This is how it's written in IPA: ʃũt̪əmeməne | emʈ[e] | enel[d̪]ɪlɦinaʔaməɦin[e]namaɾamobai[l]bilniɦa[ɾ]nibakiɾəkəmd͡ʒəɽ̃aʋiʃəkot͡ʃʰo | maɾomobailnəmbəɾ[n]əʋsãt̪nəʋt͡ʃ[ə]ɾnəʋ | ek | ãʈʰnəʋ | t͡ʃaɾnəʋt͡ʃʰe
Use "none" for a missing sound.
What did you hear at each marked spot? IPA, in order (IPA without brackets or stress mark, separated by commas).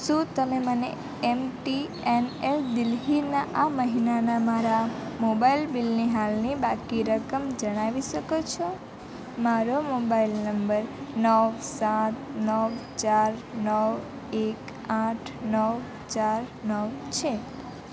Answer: i, d̪, a, l, l, n, a